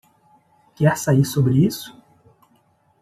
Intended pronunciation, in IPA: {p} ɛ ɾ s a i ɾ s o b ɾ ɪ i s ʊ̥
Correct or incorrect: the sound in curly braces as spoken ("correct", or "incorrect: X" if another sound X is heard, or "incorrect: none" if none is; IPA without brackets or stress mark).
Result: incorrect: k